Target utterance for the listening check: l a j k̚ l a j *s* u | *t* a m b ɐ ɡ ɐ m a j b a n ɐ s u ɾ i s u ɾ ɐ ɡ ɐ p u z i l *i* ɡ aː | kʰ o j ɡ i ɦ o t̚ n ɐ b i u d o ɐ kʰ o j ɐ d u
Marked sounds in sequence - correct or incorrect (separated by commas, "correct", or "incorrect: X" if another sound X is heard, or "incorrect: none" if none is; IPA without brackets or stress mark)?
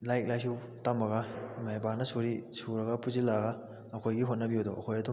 correct, correct, incorrect: a